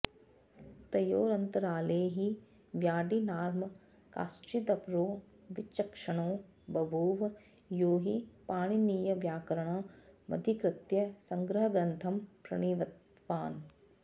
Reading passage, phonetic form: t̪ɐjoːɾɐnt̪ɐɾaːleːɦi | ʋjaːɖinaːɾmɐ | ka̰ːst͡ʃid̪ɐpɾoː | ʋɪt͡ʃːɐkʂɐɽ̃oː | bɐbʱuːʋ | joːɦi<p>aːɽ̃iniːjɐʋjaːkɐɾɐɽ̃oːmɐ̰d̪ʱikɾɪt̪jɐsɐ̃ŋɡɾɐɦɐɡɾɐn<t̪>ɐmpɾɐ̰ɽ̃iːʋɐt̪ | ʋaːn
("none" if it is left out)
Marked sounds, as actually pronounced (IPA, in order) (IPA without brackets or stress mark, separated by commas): p, t̪ʰ